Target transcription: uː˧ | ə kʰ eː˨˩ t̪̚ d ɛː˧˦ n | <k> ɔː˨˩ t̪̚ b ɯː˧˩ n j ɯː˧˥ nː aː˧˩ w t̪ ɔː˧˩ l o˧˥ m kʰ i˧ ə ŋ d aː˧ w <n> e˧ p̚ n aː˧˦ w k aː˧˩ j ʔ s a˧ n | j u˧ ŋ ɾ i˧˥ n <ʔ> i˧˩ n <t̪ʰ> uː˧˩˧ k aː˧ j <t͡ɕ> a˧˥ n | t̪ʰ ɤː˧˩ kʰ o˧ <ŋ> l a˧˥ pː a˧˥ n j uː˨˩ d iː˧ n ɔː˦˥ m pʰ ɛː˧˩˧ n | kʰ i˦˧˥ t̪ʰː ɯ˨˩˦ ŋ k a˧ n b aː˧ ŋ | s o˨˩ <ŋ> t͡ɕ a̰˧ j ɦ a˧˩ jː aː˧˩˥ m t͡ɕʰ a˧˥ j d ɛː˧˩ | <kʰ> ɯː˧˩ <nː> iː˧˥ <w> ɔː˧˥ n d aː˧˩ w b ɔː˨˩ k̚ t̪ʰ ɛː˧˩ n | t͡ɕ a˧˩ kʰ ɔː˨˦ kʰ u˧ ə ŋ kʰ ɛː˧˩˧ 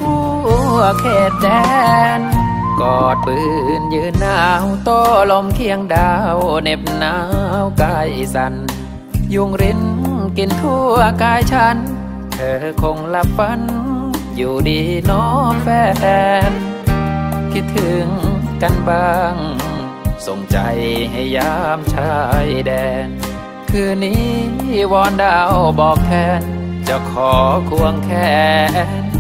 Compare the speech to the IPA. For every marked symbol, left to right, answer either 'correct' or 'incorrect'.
correct, correct, incorrect: k, correct, incorrect: t͡ɕʰ, correct, correct, correct, incorrect: n, correct

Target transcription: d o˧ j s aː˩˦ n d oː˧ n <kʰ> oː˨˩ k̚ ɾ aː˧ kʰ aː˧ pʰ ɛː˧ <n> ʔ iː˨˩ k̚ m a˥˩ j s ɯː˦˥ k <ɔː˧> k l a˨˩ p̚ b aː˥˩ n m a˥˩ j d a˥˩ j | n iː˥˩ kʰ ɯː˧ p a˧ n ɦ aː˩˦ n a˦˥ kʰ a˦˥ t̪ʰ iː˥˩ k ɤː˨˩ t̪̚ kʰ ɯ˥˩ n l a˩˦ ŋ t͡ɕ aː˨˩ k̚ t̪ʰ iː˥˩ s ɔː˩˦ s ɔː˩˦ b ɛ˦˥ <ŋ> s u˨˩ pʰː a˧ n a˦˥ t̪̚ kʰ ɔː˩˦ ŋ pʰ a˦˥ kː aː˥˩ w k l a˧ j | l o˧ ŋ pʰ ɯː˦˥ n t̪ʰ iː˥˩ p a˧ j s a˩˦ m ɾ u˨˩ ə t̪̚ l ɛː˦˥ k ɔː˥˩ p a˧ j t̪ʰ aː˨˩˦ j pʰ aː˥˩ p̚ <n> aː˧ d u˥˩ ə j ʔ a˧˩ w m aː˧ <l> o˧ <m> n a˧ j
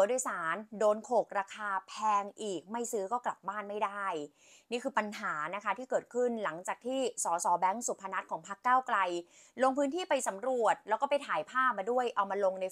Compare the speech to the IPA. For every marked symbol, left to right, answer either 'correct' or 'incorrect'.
correct, incorrect: ŋ, incorrect: ɔː˥˩, correct, incorrect: m, correct, incorrect: ŋ

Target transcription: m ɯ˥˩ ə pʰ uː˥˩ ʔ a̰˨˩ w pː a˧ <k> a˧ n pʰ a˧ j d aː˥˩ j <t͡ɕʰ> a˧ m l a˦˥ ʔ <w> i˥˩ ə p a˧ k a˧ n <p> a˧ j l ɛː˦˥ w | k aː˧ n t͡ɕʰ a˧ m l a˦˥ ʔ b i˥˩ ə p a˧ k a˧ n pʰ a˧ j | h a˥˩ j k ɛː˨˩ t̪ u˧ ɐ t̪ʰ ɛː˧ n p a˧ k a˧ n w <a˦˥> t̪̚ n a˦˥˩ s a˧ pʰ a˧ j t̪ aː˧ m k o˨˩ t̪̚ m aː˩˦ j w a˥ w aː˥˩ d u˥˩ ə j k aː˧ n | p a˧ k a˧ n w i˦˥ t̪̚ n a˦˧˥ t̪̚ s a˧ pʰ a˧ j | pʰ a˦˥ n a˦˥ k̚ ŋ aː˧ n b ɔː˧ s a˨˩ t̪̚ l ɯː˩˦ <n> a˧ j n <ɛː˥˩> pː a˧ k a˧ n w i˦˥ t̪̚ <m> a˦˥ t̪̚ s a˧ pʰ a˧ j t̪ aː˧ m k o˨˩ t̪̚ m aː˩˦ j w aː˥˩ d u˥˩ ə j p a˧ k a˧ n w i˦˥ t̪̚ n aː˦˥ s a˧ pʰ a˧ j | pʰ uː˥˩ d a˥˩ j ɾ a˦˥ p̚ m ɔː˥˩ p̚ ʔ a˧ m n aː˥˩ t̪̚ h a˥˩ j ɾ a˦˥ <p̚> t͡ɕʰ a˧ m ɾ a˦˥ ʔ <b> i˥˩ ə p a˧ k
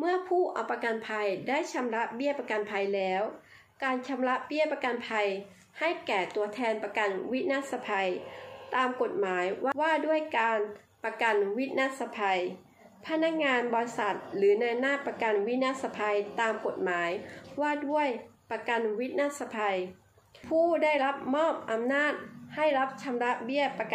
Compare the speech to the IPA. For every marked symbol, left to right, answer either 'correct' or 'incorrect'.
correct, correct, incorrect: b, incorrect: pʰ, incorrect: i˦˥, correct, incorrect: aː˥˩, incorrect: n, correct, correct

